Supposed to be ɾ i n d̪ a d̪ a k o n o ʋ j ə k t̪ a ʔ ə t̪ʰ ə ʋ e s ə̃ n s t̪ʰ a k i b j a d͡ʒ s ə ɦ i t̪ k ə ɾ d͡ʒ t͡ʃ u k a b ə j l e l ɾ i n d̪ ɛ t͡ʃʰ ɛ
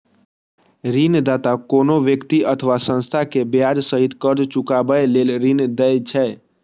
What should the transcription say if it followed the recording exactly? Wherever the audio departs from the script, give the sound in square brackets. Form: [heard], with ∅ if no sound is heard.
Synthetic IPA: ɾ i n d̪ a [t̪] a k o n o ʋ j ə k t̪ [i] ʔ ə t̪ʰ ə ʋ [a] s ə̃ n s t̪ʰ a k [e] b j a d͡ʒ s ə ɦ i t̪ k ə ɾ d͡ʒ t͡ʃ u k a b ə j l e l ɾ i n d̪ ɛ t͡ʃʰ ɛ